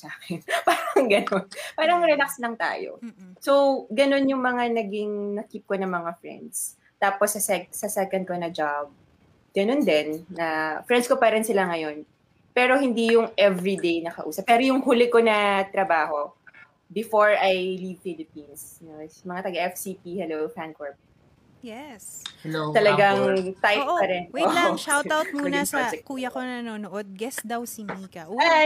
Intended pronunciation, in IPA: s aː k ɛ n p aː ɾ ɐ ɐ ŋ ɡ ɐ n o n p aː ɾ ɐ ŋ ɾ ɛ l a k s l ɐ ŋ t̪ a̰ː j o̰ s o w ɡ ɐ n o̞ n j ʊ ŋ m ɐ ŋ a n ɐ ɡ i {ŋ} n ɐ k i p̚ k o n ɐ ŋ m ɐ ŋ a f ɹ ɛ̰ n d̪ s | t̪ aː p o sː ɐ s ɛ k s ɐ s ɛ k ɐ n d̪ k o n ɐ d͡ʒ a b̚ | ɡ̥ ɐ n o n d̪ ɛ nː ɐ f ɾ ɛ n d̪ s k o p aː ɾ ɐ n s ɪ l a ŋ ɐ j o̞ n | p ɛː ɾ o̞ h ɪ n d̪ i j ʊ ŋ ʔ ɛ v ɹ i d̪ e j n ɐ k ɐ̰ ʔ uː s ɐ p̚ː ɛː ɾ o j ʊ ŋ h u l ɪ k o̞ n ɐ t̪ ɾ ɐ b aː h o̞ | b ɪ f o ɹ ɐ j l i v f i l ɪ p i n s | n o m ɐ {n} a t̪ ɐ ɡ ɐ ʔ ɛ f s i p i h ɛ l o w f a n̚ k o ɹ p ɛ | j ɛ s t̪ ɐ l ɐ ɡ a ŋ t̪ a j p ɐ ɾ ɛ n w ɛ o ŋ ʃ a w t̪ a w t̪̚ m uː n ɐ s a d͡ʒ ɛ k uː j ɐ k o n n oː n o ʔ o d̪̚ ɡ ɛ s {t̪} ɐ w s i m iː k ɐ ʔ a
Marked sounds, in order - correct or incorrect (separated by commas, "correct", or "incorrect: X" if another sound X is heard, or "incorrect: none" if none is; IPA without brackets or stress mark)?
correct, incorrect: ŋ, incorrect: d̪